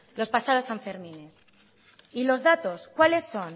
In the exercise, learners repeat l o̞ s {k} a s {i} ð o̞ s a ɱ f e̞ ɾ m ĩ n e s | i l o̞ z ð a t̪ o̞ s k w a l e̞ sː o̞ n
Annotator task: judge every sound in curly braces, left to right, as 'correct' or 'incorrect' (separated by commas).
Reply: incorrect, incorrect